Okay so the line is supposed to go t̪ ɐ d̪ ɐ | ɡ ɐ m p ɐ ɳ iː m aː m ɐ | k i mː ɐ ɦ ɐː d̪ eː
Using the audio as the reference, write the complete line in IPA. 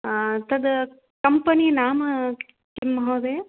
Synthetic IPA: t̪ ɐ d̪ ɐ | k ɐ m p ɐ n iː n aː m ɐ | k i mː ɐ ɦ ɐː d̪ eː